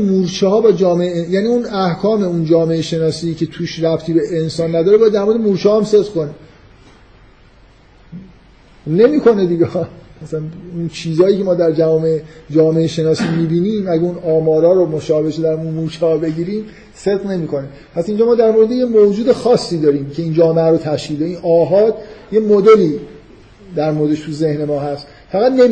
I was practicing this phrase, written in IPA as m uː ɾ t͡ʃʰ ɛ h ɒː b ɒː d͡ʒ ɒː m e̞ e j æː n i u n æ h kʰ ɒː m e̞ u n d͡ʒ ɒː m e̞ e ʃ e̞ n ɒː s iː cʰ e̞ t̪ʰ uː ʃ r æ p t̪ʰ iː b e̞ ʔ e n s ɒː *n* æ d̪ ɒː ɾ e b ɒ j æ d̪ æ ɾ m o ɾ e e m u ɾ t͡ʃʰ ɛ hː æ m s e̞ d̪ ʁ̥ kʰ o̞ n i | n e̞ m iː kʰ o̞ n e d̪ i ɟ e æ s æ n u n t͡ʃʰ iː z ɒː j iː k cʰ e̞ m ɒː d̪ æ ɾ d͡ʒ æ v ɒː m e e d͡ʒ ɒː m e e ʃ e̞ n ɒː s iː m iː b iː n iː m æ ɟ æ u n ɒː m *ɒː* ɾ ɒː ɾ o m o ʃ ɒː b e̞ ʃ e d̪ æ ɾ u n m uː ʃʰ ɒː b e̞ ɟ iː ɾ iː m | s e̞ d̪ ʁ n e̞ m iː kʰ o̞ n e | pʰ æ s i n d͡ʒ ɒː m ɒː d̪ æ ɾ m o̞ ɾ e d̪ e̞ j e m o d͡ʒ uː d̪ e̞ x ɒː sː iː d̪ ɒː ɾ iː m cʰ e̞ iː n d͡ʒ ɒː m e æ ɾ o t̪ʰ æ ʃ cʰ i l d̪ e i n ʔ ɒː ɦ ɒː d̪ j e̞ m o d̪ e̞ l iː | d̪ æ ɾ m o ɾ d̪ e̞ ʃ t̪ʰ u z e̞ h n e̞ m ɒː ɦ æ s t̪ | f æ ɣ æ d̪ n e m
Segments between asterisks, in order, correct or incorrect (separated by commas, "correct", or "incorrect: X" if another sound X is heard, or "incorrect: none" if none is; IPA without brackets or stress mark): incorrect: nː, correct